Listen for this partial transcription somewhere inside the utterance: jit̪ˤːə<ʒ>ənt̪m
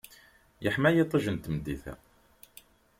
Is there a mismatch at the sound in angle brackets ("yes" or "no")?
no